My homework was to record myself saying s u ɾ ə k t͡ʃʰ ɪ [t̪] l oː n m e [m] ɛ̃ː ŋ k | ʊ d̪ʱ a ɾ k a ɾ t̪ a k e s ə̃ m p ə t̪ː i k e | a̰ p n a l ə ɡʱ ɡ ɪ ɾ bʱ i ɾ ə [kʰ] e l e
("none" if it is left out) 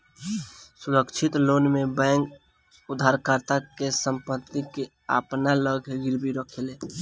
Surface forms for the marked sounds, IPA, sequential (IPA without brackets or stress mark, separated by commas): t̪, b, kʰ